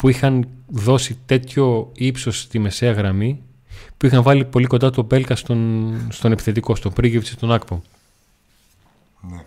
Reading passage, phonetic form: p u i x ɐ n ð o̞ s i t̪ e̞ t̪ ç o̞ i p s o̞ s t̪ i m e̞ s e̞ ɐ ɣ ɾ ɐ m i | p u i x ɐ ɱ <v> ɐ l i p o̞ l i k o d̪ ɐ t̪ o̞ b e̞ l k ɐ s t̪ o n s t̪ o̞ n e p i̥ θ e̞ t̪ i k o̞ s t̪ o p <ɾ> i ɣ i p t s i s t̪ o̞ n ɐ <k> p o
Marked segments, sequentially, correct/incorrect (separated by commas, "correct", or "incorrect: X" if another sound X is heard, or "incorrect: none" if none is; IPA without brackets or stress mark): correct, correct, correct